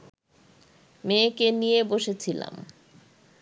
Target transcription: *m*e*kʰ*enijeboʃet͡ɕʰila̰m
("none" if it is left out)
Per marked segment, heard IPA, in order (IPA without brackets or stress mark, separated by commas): m, k